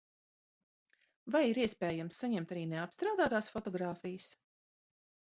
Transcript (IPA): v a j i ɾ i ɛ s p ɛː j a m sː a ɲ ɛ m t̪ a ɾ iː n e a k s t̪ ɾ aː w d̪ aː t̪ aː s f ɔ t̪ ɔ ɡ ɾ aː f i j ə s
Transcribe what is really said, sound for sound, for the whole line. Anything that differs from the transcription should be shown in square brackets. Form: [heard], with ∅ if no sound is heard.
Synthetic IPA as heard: v a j i ɾ i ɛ s p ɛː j a m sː a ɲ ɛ m t̪ a ɾ iː n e a [p] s t̪ ɾ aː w d̪ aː t̪ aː s f ɔ t̪ ɔ ɡ ɾ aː f i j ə s